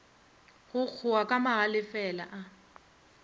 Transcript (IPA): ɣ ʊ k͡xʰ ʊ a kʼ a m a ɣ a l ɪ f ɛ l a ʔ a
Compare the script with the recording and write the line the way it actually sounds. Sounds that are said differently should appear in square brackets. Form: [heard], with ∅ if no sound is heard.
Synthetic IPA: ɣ ʊ k͡xʰ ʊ a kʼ a m a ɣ a l ɪ f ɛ l a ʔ a